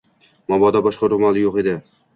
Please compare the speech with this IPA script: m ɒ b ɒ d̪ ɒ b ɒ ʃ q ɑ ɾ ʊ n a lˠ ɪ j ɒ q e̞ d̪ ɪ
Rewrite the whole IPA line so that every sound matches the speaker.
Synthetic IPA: m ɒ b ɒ d̪ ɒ b ɒ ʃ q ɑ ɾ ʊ m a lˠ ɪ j o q e̞ d̪ ɪ